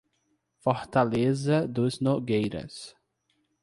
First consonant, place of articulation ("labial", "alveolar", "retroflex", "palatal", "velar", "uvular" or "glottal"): labial